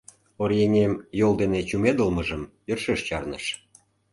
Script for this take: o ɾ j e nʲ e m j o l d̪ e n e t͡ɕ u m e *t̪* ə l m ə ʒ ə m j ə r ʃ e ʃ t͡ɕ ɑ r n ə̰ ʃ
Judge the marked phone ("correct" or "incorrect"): incorrect